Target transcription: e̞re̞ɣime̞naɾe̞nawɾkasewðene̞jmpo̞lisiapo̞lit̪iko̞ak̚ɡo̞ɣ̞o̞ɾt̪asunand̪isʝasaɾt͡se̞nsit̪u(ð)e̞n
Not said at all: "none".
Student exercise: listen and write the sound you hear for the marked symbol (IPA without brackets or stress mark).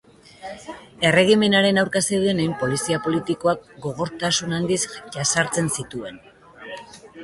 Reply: none